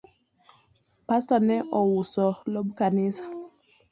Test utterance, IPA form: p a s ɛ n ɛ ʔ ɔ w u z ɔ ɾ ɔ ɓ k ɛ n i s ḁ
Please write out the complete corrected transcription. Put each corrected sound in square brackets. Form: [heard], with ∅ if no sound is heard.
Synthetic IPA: p a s [a] n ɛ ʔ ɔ w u [s] ɔ [l] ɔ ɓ k [a] n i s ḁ